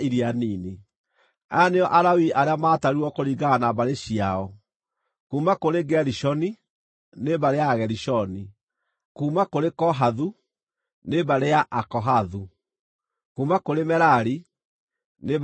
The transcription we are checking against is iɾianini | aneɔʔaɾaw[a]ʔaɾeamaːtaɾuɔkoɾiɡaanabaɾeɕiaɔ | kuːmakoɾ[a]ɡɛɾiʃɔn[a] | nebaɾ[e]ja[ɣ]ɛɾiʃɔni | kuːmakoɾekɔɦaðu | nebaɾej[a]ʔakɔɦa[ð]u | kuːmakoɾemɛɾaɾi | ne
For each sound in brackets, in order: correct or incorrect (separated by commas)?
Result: incorrect, incorrect, incorrect, correct, correct, correct, correct